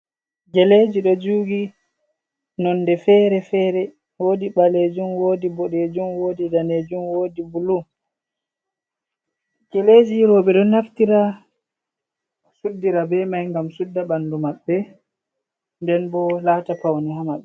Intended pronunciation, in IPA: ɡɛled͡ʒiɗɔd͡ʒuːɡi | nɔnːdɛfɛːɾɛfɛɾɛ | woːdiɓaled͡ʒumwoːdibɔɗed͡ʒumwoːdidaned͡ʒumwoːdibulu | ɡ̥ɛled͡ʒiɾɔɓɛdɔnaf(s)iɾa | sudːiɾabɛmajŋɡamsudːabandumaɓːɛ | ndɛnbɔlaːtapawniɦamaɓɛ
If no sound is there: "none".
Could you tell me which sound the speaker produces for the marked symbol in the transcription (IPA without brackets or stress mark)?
t